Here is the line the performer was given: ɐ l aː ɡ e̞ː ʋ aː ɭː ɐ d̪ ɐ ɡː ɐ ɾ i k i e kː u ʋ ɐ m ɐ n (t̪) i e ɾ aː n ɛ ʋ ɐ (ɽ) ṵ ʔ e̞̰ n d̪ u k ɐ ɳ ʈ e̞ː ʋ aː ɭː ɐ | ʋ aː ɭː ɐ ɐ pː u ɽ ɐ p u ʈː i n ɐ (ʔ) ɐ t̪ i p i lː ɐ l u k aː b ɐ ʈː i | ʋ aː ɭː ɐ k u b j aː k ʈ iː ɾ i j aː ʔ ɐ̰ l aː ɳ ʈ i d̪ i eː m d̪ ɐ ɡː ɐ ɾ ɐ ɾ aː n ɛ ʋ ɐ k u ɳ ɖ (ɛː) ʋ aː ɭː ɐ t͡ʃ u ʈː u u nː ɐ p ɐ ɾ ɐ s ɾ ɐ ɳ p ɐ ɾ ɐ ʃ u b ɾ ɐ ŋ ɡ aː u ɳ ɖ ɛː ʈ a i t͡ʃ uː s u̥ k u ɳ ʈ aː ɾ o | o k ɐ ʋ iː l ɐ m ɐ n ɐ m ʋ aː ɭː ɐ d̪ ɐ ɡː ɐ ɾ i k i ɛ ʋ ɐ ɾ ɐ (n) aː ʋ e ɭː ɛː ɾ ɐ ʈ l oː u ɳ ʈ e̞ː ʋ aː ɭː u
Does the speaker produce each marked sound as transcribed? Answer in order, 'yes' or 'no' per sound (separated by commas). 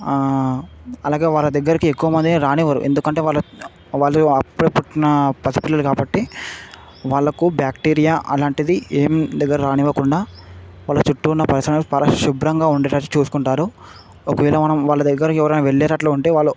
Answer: no, no, no, no, yes